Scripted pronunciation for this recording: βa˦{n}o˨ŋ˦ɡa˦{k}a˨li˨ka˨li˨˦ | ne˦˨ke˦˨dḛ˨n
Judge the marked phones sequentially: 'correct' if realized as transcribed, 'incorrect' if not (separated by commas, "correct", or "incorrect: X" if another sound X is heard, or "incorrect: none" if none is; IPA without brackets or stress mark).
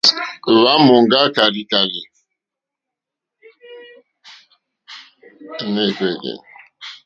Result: incorrect: m, correct